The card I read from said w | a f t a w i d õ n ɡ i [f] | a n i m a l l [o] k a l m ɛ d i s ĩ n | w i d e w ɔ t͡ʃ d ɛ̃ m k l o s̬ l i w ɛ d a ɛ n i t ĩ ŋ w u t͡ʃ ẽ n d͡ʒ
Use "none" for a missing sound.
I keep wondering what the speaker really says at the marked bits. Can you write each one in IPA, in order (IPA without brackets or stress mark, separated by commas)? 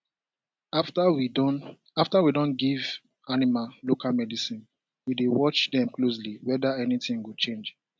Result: v, o